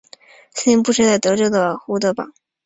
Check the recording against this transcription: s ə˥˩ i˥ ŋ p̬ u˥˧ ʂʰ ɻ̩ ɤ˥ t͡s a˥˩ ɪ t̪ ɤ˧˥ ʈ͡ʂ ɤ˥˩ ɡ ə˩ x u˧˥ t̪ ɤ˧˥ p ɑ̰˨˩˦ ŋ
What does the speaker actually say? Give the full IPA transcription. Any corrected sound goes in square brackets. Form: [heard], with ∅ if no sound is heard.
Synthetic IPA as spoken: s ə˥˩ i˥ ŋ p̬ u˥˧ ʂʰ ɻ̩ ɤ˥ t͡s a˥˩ ɪ t̪ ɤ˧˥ ʈ͡ʂ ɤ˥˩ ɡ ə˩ x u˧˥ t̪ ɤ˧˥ p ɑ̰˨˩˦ ŋ